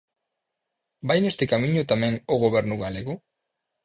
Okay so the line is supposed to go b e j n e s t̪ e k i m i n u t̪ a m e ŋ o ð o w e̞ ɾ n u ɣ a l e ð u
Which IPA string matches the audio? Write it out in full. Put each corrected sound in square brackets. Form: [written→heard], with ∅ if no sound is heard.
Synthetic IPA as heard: b [e→a] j n e s t̪ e k [i→a] m i [n→ɲ] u t̪ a m e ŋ o [ð→ɣ] o [w→β] e̞ ɾ n u ɣ a l e [ð→ɣ] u